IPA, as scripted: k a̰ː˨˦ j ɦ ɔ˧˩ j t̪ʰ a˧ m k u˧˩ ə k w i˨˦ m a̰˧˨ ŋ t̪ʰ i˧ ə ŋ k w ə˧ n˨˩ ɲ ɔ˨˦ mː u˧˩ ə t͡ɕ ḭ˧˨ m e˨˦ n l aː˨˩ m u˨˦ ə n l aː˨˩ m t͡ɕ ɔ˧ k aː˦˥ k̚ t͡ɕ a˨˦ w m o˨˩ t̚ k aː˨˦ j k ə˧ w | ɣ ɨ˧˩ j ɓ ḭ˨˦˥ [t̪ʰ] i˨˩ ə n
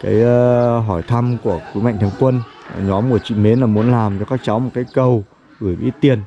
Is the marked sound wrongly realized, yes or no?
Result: yes